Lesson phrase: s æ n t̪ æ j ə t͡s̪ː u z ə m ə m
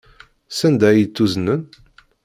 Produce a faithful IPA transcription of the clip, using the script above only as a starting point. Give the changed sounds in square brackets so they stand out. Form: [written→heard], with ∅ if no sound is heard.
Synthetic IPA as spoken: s æ n [t̪→d̪] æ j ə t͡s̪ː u z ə [m→n] ə [m→n]